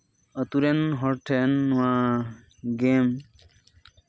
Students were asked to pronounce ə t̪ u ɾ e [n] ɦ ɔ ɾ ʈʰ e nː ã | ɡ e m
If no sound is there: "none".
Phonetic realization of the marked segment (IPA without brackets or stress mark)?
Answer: n